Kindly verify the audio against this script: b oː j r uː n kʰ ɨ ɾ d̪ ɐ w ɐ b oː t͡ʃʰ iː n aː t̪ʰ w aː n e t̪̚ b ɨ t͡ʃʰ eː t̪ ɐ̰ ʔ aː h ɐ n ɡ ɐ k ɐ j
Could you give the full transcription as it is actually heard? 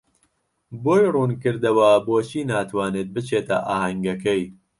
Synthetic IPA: b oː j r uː n k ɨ ɾ d̪ ɐ w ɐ b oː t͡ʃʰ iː n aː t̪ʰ w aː n e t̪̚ b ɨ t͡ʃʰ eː t̪ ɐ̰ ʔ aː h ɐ ŋ ɡ ɐ k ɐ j